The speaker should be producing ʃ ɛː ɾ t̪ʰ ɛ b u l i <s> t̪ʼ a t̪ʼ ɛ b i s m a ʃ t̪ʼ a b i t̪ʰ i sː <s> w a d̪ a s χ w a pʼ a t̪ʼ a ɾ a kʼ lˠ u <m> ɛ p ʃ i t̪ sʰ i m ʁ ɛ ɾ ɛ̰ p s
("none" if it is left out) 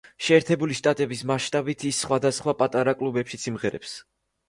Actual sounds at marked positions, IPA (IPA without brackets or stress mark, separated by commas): ʃ, χ, b